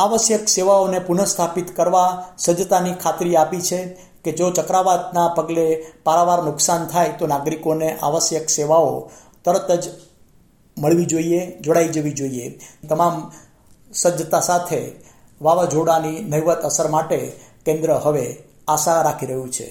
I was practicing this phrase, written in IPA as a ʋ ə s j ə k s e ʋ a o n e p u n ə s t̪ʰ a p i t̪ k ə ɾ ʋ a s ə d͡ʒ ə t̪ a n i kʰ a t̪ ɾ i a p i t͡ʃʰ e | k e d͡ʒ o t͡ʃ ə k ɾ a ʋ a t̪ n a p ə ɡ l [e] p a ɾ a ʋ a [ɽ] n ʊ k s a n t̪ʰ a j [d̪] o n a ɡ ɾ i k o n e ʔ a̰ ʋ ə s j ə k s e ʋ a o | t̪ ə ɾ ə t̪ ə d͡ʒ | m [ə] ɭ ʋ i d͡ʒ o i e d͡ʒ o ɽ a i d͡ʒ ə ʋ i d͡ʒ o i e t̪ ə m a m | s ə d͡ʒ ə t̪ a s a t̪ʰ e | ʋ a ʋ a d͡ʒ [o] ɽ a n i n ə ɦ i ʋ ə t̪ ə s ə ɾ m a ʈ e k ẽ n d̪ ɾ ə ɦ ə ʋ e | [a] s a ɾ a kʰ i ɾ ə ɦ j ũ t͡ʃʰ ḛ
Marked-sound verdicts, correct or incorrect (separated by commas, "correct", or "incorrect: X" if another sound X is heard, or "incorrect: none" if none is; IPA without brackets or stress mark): correct, incorrect: ɾ, incorrect: t̪, correct, correct, correct